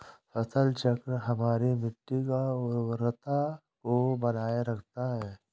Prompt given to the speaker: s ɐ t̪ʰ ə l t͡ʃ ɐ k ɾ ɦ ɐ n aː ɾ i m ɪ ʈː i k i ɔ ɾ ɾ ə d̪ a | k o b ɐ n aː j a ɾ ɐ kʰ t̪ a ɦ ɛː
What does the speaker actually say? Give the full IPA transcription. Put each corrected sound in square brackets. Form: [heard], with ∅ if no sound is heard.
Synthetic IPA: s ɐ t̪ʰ ə l t͡ʃ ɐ k ɾ ɦ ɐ [m] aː ɾ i m ɪ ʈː i k [a] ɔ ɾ ɾ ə [t̪] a | k o b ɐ n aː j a ɾ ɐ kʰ t̪ a ɦ ɛː